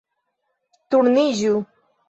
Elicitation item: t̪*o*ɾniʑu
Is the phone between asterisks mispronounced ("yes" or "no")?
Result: yes